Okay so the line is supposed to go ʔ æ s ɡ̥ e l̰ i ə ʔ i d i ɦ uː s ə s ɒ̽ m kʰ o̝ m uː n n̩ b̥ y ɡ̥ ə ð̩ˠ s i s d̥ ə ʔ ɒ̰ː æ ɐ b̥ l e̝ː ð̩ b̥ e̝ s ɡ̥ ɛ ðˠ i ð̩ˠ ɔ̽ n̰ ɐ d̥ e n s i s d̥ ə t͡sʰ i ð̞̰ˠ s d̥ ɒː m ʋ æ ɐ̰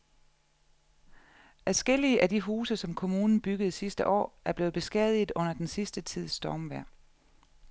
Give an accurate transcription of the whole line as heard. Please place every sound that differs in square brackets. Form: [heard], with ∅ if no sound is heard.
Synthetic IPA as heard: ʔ æ s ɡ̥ e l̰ i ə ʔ [æ] d i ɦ uː s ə s ɒ̽ m kʰ o̝ m uː n n̩ b̥ y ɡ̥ ə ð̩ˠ s i s d̥ ə ʔ ɒ̰ː æ ɐ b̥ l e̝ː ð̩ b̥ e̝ s ɡ̥ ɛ ðˠ i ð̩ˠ ɔ̽ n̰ ɐ d̥ e n s i s d̥ ə t͡sʰ i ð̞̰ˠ s d̥ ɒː m ʋ æ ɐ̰